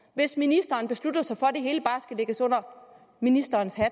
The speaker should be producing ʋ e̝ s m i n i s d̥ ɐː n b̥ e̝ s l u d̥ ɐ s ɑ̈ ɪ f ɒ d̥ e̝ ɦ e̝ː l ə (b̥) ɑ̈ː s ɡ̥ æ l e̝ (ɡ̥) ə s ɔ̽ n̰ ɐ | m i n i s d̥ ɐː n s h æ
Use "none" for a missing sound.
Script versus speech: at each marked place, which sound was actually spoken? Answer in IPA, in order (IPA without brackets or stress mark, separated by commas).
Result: b̥, ɡ̥